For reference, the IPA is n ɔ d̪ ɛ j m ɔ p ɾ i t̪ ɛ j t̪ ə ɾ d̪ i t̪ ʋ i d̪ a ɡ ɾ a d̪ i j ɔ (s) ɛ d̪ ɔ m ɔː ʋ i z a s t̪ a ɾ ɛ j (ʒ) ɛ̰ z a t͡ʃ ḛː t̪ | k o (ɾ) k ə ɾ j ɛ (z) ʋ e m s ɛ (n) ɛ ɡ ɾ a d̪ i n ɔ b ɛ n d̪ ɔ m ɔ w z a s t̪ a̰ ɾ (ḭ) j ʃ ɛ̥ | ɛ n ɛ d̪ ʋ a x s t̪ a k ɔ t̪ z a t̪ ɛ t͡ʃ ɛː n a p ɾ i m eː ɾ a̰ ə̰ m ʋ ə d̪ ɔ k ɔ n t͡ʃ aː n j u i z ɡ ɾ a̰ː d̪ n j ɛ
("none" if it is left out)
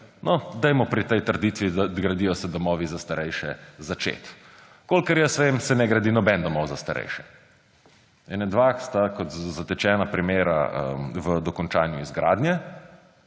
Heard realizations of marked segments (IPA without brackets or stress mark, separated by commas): s, ʃ, l, s, n, ɛ̰